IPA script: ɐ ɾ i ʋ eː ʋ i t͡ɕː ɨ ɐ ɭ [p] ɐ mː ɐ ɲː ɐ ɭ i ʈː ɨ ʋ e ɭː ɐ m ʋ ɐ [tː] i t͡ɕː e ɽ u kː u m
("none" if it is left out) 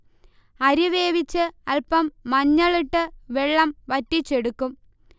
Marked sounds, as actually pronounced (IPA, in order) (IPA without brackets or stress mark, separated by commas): p, tː